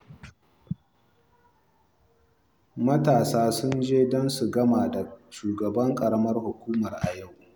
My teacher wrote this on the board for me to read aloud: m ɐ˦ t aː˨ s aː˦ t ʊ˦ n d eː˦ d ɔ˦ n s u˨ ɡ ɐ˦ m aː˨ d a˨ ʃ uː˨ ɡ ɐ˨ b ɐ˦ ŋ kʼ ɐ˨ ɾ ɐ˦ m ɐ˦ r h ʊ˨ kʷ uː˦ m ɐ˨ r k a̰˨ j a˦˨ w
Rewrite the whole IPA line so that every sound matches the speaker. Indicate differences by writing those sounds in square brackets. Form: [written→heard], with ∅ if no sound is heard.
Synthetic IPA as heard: m ɐ˦ t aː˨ s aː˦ [t→s] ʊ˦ n [d→d͡ʒ] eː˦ d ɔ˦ n s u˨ ɡ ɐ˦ m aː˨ d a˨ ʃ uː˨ ɡ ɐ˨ b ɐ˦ ŋ kʼ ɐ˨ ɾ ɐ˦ m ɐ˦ r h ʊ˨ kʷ uː˦ m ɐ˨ r [k→ʔ] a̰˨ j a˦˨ w